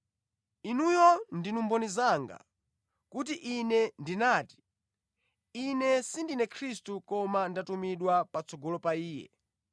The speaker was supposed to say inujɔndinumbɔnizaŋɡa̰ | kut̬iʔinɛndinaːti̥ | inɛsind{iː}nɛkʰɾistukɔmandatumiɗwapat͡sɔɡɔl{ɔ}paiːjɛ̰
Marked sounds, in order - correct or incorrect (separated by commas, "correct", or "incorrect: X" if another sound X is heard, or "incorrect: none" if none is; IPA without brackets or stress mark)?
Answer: incorrect: i, correct